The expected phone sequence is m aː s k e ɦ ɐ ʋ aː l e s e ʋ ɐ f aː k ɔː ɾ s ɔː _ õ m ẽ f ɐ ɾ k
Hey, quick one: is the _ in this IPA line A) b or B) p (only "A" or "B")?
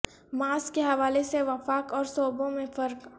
A